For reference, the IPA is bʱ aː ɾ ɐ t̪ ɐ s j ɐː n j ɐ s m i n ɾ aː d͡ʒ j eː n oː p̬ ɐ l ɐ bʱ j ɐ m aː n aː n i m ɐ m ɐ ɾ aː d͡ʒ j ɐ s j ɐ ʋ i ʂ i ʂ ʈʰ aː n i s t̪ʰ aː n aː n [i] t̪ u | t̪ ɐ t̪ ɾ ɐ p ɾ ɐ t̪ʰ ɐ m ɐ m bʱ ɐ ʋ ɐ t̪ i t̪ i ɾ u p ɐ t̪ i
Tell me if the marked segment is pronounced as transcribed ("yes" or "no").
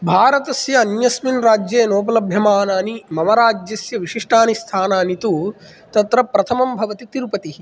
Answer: yes